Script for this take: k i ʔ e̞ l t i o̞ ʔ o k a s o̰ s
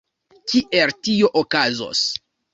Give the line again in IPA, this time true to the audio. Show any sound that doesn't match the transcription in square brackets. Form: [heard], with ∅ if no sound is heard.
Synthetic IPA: k i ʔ e̞ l t i o̞ ʔ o k a [z] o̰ s